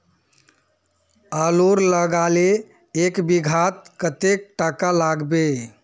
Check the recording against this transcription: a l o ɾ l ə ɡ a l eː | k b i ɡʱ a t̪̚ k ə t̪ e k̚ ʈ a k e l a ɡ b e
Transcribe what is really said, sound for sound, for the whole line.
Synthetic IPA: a l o ɾ l ə ɡ a l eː | k b i ɡʱ a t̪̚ k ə t̪ e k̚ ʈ a k a l a ɡ b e